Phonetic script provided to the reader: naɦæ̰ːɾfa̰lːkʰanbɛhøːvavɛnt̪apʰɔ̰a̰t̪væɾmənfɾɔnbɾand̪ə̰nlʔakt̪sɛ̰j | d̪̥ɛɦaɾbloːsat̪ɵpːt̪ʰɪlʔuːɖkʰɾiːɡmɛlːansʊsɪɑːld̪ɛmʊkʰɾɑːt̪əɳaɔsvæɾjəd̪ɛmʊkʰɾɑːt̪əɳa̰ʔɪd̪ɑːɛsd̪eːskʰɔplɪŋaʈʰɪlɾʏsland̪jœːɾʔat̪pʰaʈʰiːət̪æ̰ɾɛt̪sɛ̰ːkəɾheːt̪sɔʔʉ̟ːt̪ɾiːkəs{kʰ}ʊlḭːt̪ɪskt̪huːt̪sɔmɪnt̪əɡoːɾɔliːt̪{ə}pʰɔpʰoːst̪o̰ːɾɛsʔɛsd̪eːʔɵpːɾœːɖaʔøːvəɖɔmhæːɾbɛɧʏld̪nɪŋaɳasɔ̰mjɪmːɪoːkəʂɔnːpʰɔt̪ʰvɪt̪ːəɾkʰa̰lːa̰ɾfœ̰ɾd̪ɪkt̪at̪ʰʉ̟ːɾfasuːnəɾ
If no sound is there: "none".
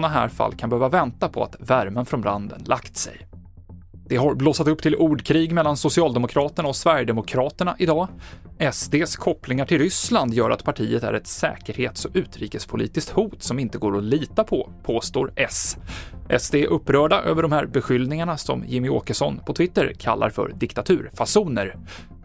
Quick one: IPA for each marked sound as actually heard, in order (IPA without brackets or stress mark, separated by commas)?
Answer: pʰ, a